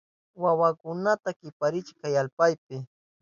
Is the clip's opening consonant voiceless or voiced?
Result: voiced